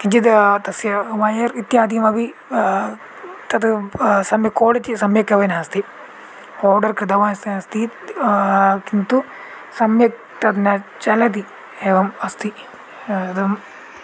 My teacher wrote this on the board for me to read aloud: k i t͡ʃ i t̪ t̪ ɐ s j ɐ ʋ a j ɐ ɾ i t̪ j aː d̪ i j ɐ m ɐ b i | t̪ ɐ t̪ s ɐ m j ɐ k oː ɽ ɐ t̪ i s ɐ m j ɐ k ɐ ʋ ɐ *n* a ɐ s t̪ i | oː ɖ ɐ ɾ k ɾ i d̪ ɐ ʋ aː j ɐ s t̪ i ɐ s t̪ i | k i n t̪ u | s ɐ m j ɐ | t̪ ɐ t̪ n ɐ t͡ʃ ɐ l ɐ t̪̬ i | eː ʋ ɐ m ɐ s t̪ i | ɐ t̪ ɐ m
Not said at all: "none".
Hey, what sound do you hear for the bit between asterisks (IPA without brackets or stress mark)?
n